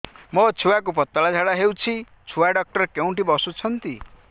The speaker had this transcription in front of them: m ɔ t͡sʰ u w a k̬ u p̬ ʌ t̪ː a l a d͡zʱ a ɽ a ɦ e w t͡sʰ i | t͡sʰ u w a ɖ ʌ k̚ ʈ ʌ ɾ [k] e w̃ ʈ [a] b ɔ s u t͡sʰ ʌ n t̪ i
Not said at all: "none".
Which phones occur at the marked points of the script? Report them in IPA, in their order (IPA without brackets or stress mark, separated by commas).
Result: k, i